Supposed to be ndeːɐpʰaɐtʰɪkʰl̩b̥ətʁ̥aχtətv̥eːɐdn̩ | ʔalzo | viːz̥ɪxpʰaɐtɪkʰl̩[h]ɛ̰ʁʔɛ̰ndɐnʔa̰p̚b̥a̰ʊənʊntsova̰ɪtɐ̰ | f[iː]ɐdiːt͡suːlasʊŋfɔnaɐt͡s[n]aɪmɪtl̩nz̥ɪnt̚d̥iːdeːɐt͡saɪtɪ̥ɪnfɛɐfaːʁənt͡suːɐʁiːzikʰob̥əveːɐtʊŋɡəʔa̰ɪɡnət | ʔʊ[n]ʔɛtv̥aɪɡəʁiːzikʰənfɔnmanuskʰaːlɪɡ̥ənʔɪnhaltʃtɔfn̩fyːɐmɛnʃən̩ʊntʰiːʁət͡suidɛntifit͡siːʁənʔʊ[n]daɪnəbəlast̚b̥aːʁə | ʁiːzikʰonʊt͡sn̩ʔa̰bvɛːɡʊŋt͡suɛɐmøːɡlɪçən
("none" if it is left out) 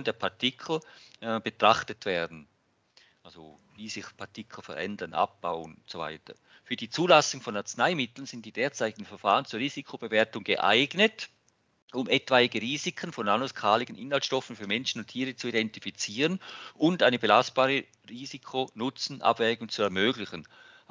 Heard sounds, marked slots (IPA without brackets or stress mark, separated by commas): f, yː, n, m, n